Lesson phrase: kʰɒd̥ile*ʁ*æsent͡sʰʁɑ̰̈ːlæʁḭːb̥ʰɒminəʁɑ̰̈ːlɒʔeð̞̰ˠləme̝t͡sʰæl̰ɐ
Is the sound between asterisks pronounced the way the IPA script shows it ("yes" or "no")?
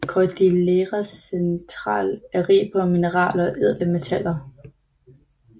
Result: yes